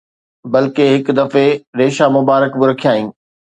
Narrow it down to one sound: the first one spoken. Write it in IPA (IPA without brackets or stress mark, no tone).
b